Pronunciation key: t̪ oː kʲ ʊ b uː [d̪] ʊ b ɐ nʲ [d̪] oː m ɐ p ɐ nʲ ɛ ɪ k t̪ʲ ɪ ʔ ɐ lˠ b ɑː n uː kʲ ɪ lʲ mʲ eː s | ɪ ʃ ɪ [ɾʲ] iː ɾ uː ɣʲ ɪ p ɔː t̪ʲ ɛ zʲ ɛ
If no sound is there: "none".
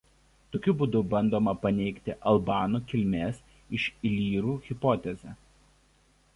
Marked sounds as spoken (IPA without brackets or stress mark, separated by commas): d̪, d̪, lʲ